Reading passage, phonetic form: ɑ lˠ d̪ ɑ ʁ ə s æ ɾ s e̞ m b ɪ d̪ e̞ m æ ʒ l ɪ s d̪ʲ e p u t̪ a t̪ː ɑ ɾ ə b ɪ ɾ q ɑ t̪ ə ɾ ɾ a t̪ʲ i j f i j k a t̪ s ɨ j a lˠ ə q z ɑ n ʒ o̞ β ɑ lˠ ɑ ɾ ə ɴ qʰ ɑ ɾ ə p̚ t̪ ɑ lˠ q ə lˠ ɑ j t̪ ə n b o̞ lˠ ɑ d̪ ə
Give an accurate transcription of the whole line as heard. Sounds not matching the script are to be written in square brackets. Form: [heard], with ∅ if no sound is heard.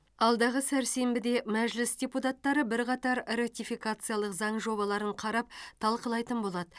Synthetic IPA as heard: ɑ lˠ d̪ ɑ ʁ ə s æ ɾ s e̞ m b ɪ d̪ e̞ m æ ʒ l ɪ s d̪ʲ e p u t̪ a t̪ː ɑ ɾ ə b ɪ ɾ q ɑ t̪ [ɑ] ɾ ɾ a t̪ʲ i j f i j k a t̪ s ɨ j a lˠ ə q z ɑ [ɴ] ʒ o̞ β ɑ lˠ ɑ ɾ ə ɴ qʰ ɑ ɾ [ɑ] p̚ [t̪ʰ] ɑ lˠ q ə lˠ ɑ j t̪ ə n b o̞ lˠ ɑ d̪ ə

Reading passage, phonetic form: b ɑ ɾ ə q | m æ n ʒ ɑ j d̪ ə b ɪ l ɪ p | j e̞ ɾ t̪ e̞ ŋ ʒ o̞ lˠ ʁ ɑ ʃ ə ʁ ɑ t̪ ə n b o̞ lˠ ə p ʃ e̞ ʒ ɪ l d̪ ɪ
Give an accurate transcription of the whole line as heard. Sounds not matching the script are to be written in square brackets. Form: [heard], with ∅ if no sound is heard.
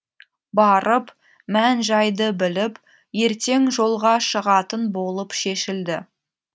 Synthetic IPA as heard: b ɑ ɾ ə [p] | m æ n ʒ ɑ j d̪ ə b ɪ l ɪ p | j e̞ ɾ t̪ e̞ ŋ ʒ o̞ lˠ ʁ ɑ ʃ ə ʁ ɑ t̪ ə n b o̞ lˠ ə p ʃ e̞ [ʃ] ɪ l d̪ ɪ

